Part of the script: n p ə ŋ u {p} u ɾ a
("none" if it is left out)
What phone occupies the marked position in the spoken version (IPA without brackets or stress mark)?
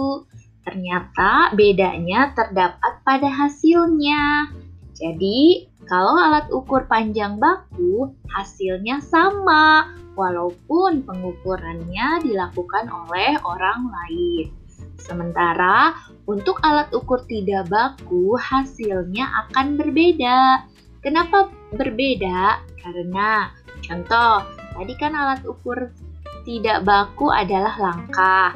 k